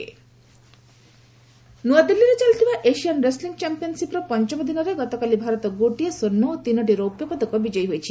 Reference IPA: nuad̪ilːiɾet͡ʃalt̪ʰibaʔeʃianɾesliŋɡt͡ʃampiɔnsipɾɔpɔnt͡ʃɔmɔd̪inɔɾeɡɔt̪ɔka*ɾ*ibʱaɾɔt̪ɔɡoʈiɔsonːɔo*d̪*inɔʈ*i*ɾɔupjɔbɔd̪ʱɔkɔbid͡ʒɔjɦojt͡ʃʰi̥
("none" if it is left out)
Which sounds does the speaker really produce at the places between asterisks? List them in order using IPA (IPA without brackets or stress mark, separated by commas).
l, t̪, i